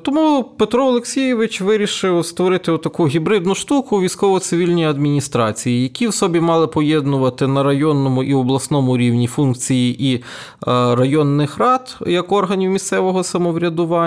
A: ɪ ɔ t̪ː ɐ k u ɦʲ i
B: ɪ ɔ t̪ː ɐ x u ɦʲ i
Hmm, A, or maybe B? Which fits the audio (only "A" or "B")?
A